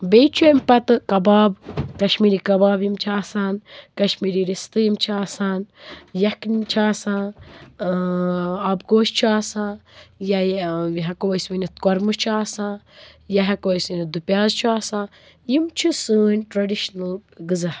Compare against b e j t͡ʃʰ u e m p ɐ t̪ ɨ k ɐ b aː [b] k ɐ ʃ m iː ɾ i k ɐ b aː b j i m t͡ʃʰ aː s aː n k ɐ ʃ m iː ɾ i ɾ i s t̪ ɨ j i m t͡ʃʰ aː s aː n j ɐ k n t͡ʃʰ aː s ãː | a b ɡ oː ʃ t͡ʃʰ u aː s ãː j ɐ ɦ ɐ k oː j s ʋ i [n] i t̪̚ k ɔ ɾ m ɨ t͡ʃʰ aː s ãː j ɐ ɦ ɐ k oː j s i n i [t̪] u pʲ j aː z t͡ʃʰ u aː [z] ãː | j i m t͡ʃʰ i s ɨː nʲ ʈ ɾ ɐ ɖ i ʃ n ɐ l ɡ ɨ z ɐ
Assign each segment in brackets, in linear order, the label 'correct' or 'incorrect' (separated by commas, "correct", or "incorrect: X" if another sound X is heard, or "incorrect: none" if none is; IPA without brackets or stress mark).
correct, correct, incorrect: d̪, incorrect: s